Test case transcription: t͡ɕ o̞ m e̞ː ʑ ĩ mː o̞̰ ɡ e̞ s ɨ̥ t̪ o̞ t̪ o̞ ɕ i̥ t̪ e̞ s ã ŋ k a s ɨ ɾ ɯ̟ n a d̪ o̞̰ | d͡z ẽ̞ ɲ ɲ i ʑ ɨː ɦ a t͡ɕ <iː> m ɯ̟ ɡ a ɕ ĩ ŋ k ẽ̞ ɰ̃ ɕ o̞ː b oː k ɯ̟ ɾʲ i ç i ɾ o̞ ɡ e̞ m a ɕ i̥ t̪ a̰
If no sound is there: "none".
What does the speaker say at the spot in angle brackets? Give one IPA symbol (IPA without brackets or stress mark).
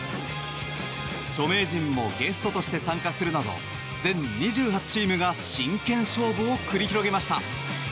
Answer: iː